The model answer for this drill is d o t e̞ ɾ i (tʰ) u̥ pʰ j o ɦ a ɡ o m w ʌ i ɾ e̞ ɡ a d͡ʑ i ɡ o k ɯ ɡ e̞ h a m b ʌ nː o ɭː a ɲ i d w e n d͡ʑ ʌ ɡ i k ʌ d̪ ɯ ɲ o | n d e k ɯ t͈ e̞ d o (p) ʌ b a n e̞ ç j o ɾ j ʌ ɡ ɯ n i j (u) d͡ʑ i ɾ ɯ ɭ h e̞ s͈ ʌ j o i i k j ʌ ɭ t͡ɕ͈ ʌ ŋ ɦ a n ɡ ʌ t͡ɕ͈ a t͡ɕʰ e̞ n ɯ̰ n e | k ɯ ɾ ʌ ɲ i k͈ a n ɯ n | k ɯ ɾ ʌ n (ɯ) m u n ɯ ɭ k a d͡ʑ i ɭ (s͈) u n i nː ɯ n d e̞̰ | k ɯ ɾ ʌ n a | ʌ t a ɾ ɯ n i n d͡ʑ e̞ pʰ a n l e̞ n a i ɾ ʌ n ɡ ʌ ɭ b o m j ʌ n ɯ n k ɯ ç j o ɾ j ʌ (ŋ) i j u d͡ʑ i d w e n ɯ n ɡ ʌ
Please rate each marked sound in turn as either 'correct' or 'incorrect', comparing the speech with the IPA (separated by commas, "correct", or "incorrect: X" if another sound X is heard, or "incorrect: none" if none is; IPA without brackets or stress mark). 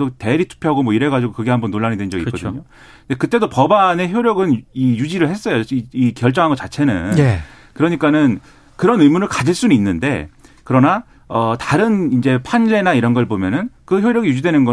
correct, correct, correct, correct, correct, incorrect: ɡ